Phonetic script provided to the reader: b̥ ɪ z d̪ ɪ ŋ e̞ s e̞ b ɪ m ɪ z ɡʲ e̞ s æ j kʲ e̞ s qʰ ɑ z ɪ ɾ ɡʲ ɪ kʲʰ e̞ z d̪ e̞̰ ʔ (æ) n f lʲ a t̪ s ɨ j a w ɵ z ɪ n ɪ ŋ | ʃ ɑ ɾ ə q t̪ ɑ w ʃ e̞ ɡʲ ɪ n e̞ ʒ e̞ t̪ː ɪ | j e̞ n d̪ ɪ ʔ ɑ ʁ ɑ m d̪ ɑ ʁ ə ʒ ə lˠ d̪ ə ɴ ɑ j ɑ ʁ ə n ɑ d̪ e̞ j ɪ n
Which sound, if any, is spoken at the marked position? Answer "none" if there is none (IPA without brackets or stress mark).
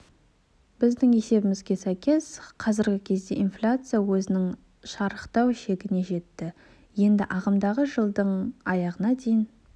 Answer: i